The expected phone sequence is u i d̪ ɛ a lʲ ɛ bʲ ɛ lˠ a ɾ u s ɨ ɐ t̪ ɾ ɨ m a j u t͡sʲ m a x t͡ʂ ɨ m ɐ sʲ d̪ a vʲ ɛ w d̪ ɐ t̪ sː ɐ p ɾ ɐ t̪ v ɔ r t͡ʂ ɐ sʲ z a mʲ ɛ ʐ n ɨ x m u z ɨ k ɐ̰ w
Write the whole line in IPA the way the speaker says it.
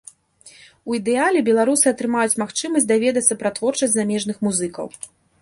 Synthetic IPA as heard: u i d̪ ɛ a lʲ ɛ bʲ ɛ lˠ a ɾ u s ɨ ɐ t̪ ɾ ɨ m a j u t͡sʲ m a x t͡ʂ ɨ m ɐ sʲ d̪ a vʲ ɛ d̪ ɐ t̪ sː ɐ p ɾ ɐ t̪ v ɔ r t͡ʂ ɐ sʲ z a mʲ ɛ ʐ n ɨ x m u z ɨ k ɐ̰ w